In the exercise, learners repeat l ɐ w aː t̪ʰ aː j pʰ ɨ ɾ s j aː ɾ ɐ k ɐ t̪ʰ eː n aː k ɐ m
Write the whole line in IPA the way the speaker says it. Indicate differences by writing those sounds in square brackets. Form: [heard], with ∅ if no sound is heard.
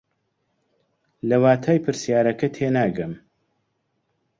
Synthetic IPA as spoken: l ɐ w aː t̪ʰ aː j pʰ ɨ ɾ s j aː ɾ ɐ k ɐ t̪ʰ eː n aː [ɡ] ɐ m